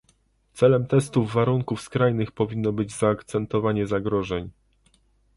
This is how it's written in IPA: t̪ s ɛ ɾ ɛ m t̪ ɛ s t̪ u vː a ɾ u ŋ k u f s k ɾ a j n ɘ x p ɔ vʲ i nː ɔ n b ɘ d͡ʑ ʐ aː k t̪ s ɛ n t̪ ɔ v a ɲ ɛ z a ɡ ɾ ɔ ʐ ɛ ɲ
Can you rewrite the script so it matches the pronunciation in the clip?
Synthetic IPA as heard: t̪ s ɛ l ɛ m t̪ ɛ s t̪ u vː a ɾ u ŋ k u f s k ɾ a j n ɘ x p ɔ vʲ i nː ɔ b ɘ d͡ʑ z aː k t̪ s ɛ n t̪ ɔ v a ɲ ɛ z a ɡ ɾ ɔ ʐ ɛ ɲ